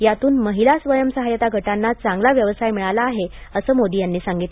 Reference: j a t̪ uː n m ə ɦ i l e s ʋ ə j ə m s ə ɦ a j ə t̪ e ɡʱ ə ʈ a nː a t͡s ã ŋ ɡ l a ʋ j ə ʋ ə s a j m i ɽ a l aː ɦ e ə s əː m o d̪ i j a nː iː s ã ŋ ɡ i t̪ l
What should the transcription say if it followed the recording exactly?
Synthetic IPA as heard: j a t̪ uː n m ə ɦ i l a s ʋ ə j ə m s ə ɦ a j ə t̪ a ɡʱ ə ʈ a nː a t͡s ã ŋ ɡ l a ʋ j ə ʋ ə s a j m i ɭ a l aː ɦ e ə s əː m o d̪ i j a nː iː s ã ŋ ɡ i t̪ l

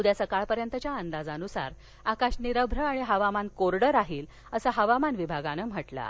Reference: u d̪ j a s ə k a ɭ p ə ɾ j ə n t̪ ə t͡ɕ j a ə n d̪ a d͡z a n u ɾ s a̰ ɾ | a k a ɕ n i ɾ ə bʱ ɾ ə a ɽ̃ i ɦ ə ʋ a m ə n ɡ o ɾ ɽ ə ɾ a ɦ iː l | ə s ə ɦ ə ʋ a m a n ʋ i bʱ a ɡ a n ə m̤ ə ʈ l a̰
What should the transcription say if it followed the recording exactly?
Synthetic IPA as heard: u d̪ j a s ə k a ɭ p ə ɾ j ə n t̪ ə t͡ɕ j a ə n d̪ a d͡z a n u s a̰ ɾ | a k a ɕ n i ɾ ə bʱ ɾ ə a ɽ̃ i ɦ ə ʋ a m a n k o ɾ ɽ ə ɾ a ɦ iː l | ə s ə ɦ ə ʋ a m a n ʋ i bʱ a ɡ a n ə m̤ ə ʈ l a̰

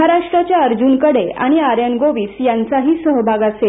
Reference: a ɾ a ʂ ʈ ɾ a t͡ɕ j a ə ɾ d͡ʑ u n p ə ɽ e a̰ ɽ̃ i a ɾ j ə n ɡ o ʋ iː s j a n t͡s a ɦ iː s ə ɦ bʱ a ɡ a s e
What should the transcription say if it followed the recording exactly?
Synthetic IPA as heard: a ɾ a ʂ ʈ ɾ a t͡ɕ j a ə ɾ d͡ʑ u n k ə ɽ e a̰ ɽ̃ i a ɾ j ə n ɡ o ʋ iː s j a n t͡s a ɦ iː s ə ɦ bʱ a ɡ a s e

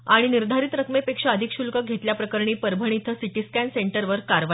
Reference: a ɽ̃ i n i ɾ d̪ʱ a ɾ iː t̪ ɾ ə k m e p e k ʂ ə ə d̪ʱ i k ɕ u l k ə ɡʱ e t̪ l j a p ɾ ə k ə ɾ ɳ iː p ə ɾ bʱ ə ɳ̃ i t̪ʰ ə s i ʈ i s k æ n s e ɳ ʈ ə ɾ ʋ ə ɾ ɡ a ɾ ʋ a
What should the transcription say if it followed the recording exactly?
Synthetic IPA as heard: a ɽ̃ i n i ɾ d̪ʱ a ɾ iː t̪ ɾ ə k m e p e k ʂ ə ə d̪ʱ i k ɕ u l k ə ɡʱ e t̪ l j a p ɾ ə k ə ɾ ɳ iː p ə ɾ bʱ ə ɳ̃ i t̪ʰ ə s i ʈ i s k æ n s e ɳ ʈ ə ɾ ʋ ə ɾ k a ɾ ʋ a

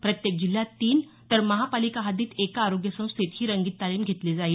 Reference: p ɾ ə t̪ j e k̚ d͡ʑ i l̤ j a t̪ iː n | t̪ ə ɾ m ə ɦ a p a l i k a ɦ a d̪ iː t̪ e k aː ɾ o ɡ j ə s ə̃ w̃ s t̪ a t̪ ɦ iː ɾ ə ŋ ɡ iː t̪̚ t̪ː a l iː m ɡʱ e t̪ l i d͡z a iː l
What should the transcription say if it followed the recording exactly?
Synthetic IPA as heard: p ɾ ə t̪ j e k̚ d͡ʑ i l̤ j a t̪ iː n | t̪ ə ɾ m ə ɦ a p a l i k a ɦ a d̪ iː t̪ e k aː ɾ o ɡ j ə s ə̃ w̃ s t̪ e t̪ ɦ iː ɾ ə ŋ ɡ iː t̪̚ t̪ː a l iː m ɡʱ e t̪ l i d͡z a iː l

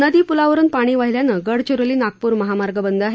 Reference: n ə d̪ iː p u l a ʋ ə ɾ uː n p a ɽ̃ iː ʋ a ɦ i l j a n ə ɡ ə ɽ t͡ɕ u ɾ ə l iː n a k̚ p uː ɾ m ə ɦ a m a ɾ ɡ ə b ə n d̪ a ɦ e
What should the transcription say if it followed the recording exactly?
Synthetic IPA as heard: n ə d̪ iː p u l a ʋ ə ɾ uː n p a ɽ̃ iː ʋ a ɦ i l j a n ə ɡ ə ɽ t͡ɕ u ɾ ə l iː n a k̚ p uː ɾ m ə ɦ a m a ɾ ɡ ə b ə n d̪ a ɦ e

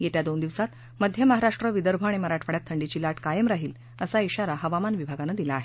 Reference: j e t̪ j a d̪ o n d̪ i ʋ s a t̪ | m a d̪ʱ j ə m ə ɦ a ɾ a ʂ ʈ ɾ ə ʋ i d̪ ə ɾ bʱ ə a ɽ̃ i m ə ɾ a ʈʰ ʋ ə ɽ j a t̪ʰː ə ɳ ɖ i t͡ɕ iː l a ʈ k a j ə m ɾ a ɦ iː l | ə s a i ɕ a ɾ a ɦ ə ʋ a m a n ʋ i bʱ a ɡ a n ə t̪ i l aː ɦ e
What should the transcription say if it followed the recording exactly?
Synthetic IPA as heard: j e t̪ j a d̪ o n d̪ i ʋ s a t̪ | m ə d̪ʱ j ə m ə ɦ a ɾ a ʂ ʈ ɾ ə ʋ i d̪ ə ɾ bʱ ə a ɽ̃ i m ə ɾ a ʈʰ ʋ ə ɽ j a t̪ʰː ə ɳ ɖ i t͡ɕ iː l a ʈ k a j ə m ɾ a ɦ iː l | ə s a i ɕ a ɾ a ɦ ə ʋ a m a n ʋ i bʱ a ɡ a n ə d̪ i l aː ɦ e

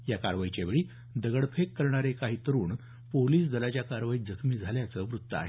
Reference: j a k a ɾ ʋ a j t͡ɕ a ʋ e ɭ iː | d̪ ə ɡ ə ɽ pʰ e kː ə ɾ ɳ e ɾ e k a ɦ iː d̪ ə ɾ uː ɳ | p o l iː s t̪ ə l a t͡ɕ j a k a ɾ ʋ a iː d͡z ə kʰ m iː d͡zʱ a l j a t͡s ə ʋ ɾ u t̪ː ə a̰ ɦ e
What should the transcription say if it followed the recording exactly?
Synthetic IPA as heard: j a k a ɾ ʋ a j t͡ɕ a ʋ e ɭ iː | d̪ ə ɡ ə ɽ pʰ e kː ə ɾ ɳ a ɾ e k a ɦ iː t̪ ə ɾ uː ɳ | p o l iː s d̪ ə l a t͡ɕ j a k a ɾ ʋ a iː d͡z ə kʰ m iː d͡zʱ a l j a t͡s ə ʋ ɾ u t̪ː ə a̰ ɦ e

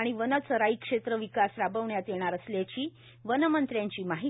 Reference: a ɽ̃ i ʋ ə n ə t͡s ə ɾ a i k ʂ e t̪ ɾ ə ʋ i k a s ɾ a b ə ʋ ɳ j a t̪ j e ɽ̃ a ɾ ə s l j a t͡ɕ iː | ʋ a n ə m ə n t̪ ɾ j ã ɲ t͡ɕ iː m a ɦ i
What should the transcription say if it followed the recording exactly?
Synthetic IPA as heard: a ɽ̃ i ʋ ə n ə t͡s ə ɾ a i k ʂ e t̪ ɾ ə ʋ i k a s ɾ a b ə ʋ ɳ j a t̪ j e ɽ̃ a ɾ ə s l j a t͡ɕ iː | ʋ ə n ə m ə n t̪ ɾ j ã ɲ t͡ɕ iː m a ɦ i

